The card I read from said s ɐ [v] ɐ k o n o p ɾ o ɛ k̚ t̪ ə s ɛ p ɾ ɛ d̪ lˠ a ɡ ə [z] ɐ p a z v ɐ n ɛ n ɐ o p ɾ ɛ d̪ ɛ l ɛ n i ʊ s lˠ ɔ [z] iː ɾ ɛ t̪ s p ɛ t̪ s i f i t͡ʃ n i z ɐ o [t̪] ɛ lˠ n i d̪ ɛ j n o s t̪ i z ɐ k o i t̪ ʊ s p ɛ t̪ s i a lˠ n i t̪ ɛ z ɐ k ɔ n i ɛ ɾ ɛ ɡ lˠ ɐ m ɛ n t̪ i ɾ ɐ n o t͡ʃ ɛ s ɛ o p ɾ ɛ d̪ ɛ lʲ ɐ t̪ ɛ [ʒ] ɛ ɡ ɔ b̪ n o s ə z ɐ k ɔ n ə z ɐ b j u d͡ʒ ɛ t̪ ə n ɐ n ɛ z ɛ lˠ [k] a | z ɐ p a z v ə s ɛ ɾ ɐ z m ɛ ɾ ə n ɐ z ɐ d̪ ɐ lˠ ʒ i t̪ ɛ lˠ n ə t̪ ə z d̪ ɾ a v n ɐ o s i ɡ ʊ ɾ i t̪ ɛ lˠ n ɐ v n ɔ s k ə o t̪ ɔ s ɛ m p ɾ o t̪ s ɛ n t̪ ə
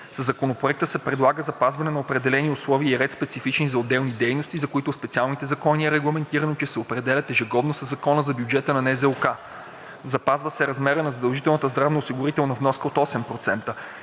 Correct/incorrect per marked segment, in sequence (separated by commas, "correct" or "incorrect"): incorrect, correct, incorrect, incorrect, correct, correct